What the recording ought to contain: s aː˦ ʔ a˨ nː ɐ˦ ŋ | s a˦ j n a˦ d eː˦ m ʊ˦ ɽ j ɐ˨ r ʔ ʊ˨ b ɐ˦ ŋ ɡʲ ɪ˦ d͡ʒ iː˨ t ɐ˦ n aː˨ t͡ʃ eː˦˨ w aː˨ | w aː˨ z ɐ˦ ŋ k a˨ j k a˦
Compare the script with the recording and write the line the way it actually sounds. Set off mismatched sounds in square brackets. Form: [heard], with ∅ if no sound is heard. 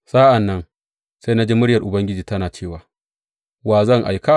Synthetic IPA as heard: s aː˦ ʔ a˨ nː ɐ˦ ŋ | s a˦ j n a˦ [d͡ʒ] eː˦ m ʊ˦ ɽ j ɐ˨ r ʔ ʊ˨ b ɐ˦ ŋ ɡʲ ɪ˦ d͡ʒ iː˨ t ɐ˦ n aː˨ t͡ʃ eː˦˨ w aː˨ | w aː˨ z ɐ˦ ŋ [ʔ] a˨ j k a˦